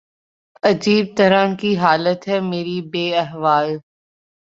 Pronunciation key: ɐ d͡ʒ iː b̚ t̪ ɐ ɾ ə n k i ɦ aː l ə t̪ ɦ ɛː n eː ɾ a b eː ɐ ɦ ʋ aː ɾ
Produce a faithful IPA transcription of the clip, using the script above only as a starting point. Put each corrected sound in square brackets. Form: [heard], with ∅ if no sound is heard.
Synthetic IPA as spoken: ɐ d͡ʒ iː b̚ t̪ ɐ ɾ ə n k i ɦ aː l ə t̪ ɦ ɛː [m] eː ɾ [i] b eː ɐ ɦ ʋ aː [l]